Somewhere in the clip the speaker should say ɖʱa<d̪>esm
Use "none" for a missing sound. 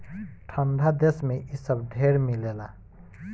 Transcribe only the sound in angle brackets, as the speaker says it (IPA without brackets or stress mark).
d̪